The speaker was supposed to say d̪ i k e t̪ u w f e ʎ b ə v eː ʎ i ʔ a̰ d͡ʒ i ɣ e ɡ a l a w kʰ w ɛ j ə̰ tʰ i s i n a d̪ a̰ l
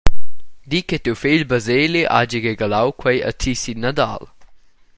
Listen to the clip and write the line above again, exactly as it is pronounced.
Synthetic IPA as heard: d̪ i k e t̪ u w f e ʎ b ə z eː l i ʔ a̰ d͡ʒ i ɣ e ɡ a l a w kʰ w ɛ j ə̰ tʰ i s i n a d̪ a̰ l